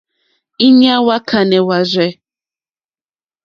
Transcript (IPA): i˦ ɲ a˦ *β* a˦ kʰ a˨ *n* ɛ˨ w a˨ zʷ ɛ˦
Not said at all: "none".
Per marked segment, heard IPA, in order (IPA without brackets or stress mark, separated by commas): w, n